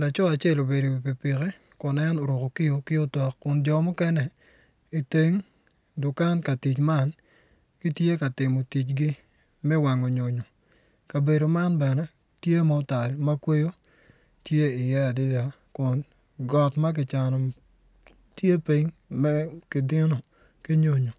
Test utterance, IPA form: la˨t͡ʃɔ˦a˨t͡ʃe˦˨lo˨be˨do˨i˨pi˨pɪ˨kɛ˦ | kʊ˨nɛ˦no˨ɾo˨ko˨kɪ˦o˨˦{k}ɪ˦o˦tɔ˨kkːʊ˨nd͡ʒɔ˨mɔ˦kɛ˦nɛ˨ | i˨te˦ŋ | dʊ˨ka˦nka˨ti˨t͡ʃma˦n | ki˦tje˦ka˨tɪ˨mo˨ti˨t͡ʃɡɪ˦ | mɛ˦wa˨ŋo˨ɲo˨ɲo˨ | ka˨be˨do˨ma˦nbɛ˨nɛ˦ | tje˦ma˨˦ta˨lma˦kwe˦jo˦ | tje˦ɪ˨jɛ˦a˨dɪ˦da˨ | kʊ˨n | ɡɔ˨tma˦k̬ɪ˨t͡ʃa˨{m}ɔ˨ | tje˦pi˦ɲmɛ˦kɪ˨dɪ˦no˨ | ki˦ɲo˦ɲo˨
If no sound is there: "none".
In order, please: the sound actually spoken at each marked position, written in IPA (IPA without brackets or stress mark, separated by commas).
k, n